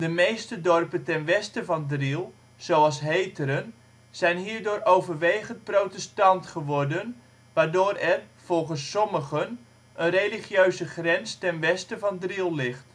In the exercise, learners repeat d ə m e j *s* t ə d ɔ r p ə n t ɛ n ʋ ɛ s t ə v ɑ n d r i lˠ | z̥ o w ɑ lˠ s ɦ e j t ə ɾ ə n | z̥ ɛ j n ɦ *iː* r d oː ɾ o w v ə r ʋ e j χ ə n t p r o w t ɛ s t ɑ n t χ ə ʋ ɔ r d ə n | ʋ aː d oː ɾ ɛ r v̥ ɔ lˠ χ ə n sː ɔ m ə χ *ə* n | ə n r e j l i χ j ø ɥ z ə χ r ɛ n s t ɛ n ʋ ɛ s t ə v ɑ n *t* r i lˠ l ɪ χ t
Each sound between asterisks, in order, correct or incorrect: correct, correct, correct, incorrect

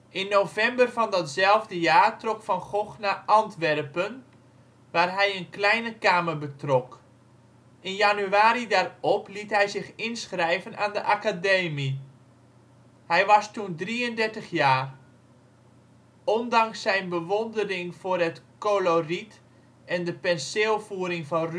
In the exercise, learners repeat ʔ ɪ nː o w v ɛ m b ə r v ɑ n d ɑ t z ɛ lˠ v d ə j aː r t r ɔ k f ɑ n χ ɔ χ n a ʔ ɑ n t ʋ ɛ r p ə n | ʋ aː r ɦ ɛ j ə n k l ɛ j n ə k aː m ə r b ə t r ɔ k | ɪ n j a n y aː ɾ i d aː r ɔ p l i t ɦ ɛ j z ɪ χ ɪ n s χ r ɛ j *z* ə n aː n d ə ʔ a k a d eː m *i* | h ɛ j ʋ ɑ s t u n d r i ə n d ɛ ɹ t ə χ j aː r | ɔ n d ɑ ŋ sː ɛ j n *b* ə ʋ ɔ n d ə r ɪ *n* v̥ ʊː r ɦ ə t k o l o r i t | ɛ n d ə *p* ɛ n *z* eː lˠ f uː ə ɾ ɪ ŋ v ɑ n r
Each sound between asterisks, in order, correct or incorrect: incorrect, correct, correct, incorrect, correct, incorrect

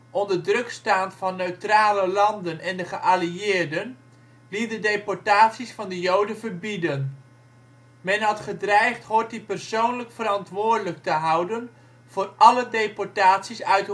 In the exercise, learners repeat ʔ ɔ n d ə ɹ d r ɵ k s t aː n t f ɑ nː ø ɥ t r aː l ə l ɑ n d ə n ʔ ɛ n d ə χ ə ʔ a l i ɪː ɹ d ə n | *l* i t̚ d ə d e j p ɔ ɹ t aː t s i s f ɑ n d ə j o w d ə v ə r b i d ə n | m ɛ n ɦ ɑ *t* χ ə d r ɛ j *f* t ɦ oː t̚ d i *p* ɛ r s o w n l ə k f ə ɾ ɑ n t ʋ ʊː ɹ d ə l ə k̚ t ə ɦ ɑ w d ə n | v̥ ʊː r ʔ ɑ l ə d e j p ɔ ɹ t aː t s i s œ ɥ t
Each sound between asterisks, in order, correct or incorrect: correct, correct, incorrect, correct

